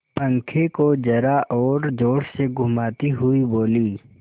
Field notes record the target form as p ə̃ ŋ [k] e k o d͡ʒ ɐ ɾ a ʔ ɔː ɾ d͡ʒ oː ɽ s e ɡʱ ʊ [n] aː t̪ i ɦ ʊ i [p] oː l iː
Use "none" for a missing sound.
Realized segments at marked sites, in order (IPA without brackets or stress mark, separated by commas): kʰ, m, b